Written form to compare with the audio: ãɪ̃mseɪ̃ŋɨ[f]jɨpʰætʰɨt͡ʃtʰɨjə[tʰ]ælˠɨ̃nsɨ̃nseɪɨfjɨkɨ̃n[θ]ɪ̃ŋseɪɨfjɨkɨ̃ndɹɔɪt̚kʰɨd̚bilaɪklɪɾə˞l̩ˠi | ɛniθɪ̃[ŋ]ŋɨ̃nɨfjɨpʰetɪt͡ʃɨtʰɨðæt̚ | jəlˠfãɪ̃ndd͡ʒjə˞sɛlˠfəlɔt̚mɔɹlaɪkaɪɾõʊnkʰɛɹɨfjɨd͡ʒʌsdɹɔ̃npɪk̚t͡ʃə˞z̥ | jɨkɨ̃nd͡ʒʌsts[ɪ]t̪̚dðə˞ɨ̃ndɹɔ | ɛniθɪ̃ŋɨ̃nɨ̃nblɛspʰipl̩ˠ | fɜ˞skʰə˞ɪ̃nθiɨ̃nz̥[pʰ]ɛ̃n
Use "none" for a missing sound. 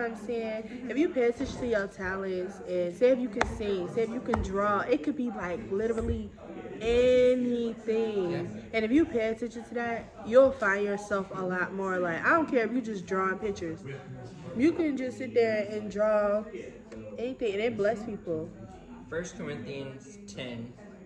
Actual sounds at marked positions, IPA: f, tʰ, s, ŋ, ɪ, tʰ

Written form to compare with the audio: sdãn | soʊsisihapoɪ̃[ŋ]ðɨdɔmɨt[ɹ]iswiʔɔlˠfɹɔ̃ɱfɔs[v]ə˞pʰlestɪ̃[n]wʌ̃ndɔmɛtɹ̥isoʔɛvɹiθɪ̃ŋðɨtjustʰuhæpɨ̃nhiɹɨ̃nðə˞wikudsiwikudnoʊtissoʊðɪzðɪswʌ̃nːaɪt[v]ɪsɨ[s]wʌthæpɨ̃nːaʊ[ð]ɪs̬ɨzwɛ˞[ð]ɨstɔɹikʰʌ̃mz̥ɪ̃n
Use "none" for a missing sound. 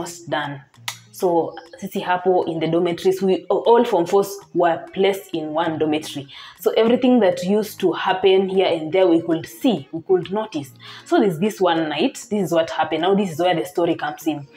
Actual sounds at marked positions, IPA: n, ɹ, w, n, ð, z, ð, ð

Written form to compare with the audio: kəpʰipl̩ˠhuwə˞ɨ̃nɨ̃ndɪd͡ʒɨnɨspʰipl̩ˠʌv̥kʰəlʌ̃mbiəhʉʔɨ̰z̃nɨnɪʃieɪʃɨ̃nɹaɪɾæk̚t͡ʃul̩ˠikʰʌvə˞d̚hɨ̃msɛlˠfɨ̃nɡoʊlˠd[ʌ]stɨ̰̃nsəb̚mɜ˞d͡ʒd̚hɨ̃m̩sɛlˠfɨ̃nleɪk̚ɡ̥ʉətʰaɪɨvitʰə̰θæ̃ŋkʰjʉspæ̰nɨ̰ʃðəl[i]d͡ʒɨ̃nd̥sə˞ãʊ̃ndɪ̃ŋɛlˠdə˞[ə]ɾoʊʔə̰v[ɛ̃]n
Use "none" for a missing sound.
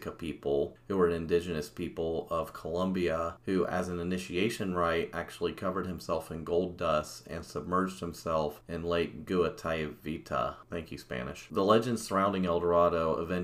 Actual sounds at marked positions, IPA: ʌ, ɛ, ɑ, ɛ̃

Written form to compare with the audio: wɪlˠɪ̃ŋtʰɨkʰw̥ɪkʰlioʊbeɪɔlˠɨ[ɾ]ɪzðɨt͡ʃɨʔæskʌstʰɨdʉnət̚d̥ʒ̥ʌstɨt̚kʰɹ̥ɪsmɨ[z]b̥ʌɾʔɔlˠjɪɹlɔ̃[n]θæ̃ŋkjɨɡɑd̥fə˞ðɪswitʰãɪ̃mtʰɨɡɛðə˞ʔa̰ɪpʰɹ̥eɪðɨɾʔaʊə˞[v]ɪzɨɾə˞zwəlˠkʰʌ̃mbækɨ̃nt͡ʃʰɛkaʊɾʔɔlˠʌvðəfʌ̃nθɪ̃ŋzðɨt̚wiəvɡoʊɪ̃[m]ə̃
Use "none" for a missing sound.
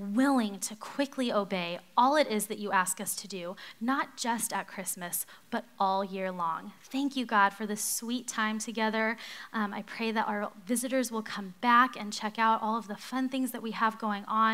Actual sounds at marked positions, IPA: ɾ, s, ŋ, v, ŋ

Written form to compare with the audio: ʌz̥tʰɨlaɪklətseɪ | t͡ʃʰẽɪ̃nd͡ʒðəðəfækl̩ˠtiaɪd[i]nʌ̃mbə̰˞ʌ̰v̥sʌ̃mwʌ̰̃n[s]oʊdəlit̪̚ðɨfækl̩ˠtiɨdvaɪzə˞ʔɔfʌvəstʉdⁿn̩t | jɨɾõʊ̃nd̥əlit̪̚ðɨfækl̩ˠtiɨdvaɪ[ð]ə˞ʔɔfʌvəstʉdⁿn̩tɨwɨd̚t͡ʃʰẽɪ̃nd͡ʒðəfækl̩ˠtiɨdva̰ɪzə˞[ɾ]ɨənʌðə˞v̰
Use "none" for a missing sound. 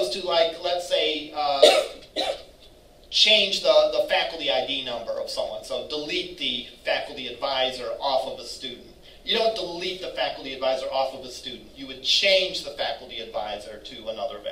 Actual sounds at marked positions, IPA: i, s, z, ɾ

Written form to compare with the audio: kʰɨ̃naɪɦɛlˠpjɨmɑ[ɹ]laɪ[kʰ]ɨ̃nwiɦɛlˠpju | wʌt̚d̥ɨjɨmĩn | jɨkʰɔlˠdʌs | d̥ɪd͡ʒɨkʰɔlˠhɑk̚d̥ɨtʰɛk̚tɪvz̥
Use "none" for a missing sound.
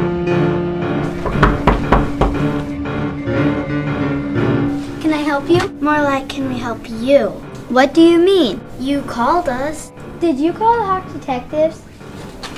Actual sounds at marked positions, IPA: ɹ, kʰ

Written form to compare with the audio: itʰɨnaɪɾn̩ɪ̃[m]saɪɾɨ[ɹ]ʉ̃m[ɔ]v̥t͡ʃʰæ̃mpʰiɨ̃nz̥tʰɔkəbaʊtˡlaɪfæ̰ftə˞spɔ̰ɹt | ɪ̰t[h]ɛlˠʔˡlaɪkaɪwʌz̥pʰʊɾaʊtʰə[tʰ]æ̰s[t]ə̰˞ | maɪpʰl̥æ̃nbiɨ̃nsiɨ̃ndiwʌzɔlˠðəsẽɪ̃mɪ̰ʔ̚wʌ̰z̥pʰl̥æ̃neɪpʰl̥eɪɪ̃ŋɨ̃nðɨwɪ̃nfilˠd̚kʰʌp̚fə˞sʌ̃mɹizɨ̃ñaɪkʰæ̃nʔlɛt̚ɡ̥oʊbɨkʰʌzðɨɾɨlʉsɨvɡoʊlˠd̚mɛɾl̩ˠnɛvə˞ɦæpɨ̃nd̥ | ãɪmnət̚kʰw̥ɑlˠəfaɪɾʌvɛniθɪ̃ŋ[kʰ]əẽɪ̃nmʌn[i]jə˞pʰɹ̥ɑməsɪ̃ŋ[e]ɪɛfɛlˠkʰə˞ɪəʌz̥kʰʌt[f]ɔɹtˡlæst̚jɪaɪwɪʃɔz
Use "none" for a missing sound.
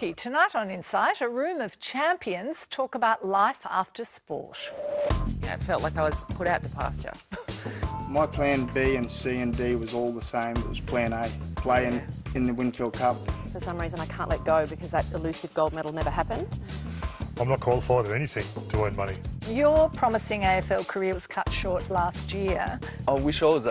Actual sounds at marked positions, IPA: n, ɹ, ʌ, f, pʰ, t͡ʃ, tʰ, i, e, ʃ

